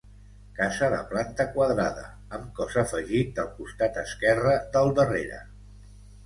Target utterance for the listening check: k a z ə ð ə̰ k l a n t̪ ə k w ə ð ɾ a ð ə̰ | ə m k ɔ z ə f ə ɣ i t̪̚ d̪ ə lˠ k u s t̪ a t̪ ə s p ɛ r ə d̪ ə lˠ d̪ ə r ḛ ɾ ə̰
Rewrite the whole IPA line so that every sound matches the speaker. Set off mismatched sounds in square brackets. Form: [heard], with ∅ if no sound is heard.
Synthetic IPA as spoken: k a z ə ð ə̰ [p] l a n t̪ ə k w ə ð ɾ a ð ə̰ | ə m k ɔ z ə f ə [ʒ] i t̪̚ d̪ ə lˠ k u s t̪ a t̪ ə s [k] ɛ r ə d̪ ə lˠ d̪ ə r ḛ ɾ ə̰